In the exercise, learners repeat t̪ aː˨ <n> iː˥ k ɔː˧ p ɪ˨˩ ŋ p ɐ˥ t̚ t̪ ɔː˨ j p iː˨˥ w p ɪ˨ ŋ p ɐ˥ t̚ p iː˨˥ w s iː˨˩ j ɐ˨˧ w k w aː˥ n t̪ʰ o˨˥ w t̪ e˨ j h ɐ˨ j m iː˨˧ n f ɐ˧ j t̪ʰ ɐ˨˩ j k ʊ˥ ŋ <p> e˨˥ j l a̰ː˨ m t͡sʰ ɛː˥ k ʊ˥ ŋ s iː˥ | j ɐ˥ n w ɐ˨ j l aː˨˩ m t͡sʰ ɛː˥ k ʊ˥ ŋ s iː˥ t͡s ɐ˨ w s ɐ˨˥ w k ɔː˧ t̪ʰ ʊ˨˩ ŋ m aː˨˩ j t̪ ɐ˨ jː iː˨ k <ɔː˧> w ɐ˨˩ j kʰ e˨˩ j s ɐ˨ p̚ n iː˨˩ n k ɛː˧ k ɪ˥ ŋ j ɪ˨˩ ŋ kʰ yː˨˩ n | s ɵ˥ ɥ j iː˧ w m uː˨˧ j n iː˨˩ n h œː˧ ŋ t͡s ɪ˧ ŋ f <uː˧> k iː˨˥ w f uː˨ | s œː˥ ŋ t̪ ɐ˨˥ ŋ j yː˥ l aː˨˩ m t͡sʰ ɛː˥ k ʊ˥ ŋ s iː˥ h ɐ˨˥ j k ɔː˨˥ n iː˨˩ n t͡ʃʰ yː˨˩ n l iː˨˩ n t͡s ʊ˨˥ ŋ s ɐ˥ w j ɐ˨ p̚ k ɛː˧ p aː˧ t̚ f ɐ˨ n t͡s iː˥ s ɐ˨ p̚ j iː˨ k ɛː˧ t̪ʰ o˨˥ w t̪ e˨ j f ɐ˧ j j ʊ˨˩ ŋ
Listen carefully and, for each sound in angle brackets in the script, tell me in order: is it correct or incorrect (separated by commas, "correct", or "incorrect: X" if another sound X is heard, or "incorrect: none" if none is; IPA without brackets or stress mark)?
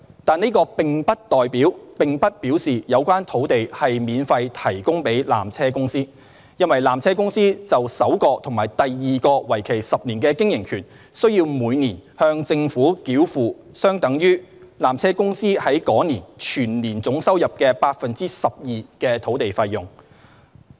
correct, correct, correct, incorrect: uː˨˥